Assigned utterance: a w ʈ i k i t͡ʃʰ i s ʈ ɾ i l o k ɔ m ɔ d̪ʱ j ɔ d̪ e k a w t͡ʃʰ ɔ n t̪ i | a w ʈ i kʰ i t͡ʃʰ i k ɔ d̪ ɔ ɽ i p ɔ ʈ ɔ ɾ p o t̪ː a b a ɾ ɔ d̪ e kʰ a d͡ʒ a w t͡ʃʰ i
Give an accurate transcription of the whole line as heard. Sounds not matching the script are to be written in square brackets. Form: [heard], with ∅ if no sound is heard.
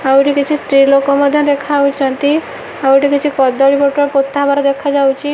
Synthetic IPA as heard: a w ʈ i k i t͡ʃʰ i s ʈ ɾ i l o k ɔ m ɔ d̪ʱ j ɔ d̪ e [kʰ] a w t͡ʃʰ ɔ n t̪ i | a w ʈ i [k] i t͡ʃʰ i k ɔ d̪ ɔ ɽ i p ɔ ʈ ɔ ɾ p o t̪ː a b a ɾ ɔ d̪ e kʰ a d͡ʒ a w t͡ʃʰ i

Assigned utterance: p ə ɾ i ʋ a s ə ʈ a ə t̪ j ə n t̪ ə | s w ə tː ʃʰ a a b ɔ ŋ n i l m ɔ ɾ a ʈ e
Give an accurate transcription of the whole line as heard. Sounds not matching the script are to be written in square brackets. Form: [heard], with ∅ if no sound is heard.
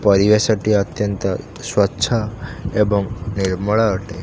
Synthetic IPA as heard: p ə ɾ i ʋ [e] s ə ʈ [i] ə t̪ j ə n t̪ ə | s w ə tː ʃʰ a [e] b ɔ ŋ n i [ɾ] m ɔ [ɭ] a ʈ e

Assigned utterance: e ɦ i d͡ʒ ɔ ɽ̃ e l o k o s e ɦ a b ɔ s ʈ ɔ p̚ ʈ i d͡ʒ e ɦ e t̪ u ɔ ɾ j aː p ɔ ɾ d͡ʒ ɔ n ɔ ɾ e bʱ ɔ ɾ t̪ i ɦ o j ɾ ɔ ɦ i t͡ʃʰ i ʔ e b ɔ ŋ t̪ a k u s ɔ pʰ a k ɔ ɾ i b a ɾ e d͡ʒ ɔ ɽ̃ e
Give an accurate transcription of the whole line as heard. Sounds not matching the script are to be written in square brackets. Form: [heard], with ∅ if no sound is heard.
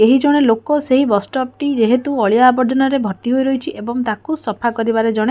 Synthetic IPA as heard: e ɦ i d͡ʒ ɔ ɽ̃ e l o k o s e ɦ [i] b ɔ s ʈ ɔ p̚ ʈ i d͡ʒ e ɦ e t̪ u ɔ [ɭ] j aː [b] ɔ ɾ d͡ʒ ɔ n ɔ ɾ e bʱ ɔ ɾ t̪ i ɦ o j ɾ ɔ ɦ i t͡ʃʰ i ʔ e b ɔ ŋ t̪ a k u s ɔ pʰ a k ɔ ɾ i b a ɾ e d͡ʒ ɔ ɽ̃ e

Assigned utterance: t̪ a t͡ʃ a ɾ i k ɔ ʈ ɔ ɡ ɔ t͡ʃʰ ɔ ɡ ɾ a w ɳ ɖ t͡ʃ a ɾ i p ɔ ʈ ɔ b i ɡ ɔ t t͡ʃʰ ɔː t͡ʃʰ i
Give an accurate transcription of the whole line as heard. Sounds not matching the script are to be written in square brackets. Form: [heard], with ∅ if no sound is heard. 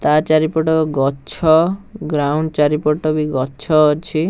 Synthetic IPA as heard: t̪ a t͡ʃ a ɾ i [p] ɔ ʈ ɔ ɡ ɔ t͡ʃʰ ɔ ɡ ɾ a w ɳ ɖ t͡ʃ a ɾ i p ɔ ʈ ɔ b i ɡ ɔ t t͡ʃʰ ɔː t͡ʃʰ i

